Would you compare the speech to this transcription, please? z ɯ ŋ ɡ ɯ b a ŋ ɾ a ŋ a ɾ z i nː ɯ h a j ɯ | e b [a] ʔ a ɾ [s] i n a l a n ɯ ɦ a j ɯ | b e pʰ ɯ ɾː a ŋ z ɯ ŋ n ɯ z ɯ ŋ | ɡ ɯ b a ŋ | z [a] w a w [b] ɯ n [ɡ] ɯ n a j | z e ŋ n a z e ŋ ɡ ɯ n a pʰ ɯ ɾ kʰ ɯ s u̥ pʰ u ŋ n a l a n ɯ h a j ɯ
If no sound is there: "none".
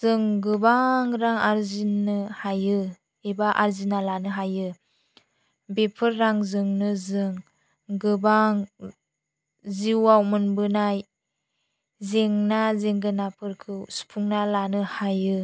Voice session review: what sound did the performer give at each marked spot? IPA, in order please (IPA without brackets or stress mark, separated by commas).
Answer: a, z, i, m, b